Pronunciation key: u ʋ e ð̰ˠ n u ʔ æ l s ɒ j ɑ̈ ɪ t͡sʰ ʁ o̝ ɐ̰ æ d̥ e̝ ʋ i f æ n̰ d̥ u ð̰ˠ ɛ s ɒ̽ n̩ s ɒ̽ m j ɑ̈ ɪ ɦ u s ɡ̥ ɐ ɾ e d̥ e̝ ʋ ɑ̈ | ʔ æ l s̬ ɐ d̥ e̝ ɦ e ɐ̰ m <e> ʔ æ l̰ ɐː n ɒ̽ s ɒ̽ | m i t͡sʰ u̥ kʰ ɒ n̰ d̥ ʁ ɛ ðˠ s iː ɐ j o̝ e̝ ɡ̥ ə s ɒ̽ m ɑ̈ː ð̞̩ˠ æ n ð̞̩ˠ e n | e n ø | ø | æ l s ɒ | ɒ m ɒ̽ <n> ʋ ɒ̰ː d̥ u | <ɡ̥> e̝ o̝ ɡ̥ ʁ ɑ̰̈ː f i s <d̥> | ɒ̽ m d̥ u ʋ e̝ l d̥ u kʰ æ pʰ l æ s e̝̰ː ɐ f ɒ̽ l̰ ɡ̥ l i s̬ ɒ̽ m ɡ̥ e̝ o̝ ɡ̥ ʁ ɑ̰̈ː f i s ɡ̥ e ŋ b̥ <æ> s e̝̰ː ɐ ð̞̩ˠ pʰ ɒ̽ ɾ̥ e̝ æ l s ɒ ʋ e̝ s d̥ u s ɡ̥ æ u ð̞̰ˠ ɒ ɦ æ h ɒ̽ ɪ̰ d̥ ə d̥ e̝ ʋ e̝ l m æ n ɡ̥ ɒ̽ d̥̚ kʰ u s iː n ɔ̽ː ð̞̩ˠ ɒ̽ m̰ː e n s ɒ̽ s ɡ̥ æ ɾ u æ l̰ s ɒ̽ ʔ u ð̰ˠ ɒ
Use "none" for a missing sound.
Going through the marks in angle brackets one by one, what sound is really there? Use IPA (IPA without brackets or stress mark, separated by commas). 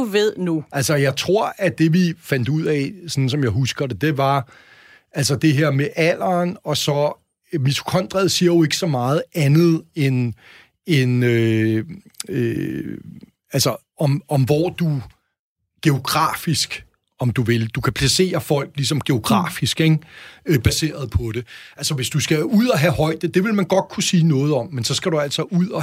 e, m, ɡ̥, ɡ̥, æ